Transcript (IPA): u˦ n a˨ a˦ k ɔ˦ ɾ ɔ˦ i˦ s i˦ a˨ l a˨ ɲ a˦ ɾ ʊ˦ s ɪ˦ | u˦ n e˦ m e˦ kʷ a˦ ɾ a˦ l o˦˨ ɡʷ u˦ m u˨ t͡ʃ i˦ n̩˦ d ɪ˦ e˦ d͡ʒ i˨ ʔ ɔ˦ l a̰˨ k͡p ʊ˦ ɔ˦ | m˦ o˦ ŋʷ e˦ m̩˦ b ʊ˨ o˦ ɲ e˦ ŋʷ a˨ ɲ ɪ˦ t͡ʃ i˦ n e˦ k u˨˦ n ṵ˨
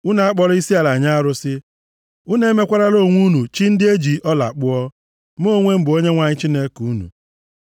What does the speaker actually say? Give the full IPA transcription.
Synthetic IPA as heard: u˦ n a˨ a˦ k͡p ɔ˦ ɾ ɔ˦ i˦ s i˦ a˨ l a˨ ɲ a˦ ɾ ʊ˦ s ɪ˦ | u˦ n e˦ m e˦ kʷ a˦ ɾ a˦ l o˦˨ ŋʷ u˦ n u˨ t͡ʃ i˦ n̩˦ d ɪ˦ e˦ d͡ʒ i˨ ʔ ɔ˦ l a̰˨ k͡p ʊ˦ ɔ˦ | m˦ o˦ ŋʷ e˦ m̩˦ b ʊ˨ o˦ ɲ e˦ ŋʷ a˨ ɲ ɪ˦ t͡ʃ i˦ n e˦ k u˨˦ n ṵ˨

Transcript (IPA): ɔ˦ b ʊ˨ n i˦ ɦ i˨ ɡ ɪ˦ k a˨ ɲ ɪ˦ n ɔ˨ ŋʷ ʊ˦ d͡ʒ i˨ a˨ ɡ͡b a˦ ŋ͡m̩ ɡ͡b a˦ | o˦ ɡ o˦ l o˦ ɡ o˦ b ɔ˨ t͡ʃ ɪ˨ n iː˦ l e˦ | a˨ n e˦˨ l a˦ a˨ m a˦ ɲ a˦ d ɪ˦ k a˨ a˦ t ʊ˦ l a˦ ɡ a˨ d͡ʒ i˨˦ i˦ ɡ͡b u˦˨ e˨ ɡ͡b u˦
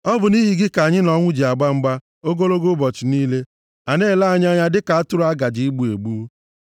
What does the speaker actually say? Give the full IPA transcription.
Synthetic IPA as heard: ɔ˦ b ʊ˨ n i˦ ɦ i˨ ɡ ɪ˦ k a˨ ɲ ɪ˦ n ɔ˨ ŋʷ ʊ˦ d͡ʒ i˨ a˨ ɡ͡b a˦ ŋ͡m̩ ɡ͡b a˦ | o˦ ɡ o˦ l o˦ ɡ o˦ b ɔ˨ t͡ʃ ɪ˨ n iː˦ l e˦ | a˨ n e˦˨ l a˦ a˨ ɲ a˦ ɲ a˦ d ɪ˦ k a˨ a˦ t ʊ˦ ɾ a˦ ɡ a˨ d͡ʒ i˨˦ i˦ ɡ͡b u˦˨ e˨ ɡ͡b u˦

